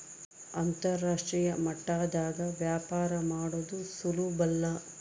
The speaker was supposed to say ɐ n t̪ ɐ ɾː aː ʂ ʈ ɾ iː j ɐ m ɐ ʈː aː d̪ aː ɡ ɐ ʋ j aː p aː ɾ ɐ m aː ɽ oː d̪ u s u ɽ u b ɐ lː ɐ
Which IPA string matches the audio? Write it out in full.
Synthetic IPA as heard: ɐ n t̪ ɐ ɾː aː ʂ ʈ ɾ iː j ɐ m ɐ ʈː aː d̪ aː ɡ ɐ ʋ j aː p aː ɾ ɐ m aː ɽ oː d̪ u s u l u b ɐ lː ɐ